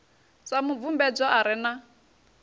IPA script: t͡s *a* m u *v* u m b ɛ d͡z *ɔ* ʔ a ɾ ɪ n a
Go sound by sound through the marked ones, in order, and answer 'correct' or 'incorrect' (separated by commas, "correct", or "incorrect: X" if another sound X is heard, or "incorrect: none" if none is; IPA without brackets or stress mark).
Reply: correct, correct, correct